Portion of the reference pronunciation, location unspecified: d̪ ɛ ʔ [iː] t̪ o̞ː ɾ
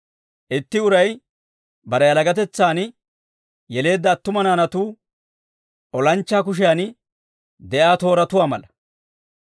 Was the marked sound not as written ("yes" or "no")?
yes